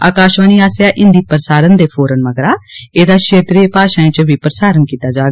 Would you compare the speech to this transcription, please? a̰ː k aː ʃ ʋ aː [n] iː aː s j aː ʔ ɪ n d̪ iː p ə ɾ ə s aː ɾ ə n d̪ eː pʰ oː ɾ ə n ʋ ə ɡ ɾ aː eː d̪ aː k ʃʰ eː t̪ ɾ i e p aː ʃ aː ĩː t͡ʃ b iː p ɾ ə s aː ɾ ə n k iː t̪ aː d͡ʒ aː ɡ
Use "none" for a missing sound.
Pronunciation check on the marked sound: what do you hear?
n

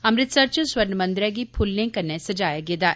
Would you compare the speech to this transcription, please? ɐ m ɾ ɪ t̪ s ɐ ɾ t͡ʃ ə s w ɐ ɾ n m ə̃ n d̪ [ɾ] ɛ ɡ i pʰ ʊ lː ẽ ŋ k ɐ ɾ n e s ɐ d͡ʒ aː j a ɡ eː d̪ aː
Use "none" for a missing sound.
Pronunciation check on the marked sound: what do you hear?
ɾ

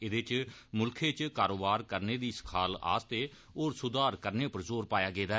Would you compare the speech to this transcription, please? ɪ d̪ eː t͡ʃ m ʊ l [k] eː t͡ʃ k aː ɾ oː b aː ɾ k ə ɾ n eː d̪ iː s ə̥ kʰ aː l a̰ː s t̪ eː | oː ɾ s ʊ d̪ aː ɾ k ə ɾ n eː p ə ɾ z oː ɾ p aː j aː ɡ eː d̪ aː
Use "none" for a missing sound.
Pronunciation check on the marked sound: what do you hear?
kʰ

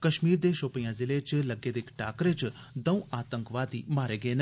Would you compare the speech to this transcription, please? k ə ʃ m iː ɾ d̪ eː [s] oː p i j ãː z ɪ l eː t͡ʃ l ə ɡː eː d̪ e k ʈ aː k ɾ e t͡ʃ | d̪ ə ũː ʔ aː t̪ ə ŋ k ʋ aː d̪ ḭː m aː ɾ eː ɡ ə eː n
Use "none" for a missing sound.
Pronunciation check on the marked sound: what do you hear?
ʃ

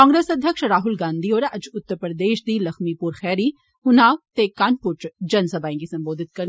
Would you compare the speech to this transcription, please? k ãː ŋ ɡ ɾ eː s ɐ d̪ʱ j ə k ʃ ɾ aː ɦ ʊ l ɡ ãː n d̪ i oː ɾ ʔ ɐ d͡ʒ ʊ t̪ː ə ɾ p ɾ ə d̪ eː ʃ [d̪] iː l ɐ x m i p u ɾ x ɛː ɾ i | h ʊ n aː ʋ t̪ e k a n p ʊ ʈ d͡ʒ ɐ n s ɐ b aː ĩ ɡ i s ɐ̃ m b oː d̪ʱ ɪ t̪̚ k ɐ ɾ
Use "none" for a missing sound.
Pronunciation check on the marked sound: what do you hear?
d̪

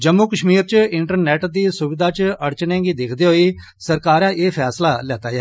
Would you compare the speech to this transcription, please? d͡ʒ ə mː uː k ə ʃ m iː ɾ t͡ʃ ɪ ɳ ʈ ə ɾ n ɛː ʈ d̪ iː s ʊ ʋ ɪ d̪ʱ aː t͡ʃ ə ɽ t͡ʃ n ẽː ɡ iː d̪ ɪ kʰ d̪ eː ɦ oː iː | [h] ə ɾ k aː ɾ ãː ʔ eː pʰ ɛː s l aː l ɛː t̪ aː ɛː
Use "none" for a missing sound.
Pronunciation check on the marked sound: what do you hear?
s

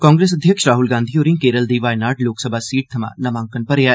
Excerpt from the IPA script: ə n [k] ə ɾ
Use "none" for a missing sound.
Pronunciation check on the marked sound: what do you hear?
p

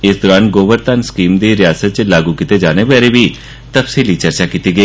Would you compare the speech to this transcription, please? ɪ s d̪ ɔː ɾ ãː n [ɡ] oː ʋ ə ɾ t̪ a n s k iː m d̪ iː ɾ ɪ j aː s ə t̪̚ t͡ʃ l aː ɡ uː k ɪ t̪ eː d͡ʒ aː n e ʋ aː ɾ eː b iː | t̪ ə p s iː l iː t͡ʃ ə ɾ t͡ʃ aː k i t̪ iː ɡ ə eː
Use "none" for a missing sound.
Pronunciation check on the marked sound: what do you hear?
ɡ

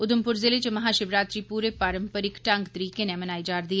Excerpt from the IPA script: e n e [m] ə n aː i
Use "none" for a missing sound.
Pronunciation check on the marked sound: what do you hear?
m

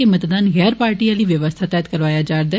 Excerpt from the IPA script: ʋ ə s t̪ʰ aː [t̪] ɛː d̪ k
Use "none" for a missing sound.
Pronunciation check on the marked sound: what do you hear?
t̪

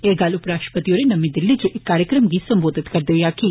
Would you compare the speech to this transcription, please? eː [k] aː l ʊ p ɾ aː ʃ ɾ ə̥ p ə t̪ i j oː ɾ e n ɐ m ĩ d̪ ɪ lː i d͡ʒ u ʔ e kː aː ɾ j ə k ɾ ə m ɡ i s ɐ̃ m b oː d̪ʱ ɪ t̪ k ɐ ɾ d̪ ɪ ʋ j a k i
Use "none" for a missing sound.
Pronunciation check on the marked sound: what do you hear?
ɡ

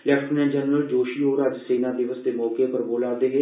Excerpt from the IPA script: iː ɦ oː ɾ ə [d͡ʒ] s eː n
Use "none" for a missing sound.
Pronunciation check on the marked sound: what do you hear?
d͡ʒ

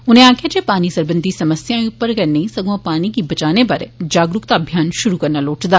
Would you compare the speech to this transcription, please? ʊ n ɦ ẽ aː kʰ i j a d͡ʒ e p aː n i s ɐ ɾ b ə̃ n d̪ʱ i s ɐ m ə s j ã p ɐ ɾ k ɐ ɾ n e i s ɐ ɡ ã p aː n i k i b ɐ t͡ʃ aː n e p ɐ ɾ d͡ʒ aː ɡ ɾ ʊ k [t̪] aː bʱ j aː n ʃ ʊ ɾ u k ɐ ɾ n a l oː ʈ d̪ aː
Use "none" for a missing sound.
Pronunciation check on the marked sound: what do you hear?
t̪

